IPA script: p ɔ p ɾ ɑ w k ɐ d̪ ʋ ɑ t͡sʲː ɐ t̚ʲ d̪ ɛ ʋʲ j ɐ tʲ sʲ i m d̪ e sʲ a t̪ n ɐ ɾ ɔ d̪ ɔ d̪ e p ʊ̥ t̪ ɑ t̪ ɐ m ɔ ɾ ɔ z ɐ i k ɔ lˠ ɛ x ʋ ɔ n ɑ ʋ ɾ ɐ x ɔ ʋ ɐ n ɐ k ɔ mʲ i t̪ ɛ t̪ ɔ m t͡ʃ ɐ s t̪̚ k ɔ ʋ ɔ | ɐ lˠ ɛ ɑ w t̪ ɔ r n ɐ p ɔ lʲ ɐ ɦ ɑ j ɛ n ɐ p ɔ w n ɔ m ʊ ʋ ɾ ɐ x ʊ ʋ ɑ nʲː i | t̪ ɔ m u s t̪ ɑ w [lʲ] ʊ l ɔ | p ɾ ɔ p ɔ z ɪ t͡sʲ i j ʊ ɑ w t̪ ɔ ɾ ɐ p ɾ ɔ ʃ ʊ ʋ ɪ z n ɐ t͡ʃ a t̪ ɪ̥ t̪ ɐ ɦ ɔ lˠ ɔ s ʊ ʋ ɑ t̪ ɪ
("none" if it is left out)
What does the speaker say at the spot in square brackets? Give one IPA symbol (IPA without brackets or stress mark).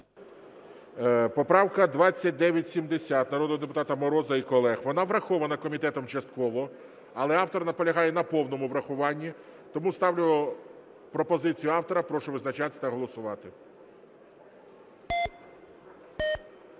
lʲ